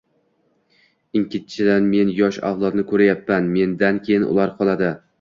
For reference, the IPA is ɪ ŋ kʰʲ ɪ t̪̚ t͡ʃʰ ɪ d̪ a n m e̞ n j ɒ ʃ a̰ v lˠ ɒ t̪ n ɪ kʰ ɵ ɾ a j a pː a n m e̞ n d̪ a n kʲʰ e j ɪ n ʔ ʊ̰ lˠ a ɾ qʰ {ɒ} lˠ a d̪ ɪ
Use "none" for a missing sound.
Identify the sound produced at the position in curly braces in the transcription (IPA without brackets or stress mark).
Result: ɒ